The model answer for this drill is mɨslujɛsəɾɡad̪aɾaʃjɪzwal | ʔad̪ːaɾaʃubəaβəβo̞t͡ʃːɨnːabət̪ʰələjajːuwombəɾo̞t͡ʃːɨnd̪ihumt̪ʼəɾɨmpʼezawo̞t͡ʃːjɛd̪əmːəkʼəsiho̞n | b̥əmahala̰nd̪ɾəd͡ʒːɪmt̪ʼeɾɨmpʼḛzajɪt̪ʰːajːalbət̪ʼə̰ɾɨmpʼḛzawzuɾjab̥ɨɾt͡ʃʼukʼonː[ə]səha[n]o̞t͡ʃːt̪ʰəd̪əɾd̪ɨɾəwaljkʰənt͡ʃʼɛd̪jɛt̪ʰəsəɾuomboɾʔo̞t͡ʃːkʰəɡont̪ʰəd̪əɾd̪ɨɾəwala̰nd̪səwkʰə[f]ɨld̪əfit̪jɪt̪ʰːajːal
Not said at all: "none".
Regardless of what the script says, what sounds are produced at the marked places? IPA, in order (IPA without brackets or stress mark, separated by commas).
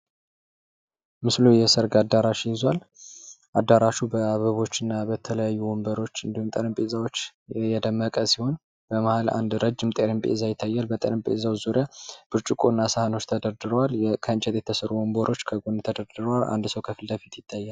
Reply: a, n, f